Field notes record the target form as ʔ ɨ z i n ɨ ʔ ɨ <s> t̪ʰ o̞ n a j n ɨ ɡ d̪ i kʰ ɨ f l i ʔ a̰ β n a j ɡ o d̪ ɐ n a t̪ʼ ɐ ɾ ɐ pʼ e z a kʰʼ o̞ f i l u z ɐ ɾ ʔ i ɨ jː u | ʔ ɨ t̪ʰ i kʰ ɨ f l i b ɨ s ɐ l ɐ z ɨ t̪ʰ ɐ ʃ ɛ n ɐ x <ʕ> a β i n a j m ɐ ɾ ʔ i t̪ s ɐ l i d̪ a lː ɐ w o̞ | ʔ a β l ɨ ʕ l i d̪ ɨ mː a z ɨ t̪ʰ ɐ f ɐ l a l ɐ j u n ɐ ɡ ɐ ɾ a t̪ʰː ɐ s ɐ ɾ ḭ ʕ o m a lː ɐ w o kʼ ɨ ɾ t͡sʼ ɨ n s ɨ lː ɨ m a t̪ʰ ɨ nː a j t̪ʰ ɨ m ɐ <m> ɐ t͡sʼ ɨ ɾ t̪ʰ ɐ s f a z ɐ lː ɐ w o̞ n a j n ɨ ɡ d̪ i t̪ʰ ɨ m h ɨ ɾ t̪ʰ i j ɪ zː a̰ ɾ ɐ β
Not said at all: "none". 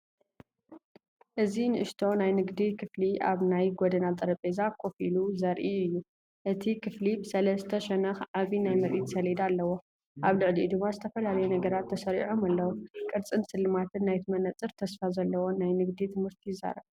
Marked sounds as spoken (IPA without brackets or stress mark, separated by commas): ʃ, ʕ, n